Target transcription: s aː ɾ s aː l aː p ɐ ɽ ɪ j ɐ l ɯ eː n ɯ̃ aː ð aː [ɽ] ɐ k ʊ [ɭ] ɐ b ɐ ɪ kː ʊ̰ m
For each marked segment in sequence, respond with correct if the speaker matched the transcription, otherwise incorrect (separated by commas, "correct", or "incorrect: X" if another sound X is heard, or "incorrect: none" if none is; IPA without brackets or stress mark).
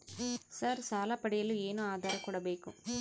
incorrect: ɾ, incorrect: ɽ